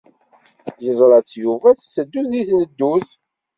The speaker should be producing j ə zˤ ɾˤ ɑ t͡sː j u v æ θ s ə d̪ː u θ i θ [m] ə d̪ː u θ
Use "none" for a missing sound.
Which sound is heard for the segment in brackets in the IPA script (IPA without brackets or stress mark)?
n